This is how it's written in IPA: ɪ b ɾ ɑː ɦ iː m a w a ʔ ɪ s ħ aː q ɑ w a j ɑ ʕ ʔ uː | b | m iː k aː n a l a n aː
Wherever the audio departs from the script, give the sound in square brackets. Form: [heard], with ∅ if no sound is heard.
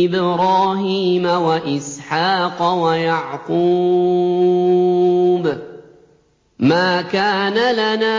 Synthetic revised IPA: ɪ b ɾ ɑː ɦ iː m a w a ʔ ɪ s ħ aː q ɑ w a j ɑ ʕ [q] uː | b | m [aː] k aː n a l a n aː